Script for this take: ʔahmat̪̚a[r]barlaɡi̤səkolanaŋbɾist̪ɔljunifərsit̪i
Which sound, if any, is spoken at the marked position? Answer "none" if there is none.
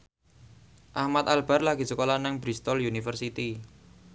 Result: l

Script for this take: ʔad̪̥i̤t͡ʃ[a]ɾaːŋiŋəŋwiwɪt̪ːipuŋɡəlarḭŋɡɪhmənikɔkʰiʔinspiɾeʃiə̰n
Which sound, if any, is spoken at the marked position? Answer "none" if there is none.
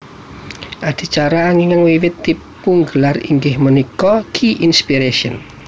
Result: a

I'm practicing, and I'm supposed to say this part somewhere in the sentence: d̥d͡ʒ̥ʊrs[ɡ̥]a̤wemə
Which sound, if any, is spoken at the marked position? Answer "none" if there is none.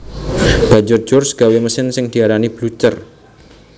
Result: ɡ̥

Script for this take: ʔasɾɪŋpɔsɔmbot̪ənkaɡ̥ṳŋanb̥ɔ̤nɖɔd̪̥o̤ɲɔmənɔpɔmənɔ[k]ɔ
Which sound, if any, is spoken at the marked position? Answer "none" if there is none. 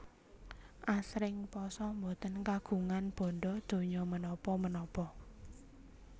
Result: p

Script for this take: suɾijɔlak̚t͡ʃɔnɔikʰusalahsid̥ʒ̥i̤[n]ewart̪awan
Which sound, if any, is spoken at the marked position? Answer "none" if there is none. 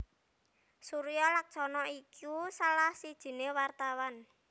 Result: n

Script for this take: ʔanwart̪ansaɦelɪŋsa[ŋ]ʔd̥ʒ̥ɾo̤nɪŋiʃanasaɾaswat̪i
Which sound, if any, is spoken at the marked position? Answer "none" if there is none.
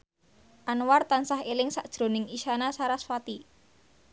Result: none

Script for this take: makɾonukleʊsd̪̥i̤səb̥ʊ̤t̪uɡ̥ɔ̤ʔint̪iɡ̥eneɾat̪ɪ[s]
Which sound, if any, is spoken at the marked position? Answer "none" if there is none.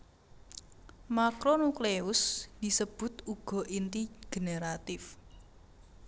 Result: f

